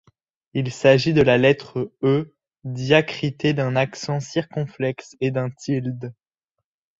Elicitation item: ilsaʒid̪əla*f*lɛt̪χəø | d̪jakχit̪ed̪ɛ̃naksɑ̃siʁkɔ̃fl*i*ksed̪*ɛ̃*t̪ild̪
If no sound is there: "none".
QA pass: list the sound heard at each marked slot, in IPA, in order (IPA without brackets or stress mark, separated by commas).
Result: none, ɛ, ɛ̃